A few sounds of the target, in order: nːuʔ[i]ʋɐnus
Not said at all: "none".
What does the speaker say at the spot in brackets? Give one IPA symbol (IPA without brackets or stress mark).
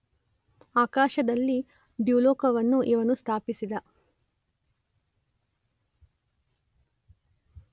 i